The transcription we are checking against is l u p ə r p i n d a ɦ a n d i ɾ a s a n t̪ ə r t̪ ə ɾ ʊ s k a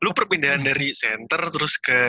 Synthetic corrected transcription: l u p ə r p i n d a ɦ a n d a ɾ i s ɛ n t̪ ə r t̪ ə ɾ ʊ s k ə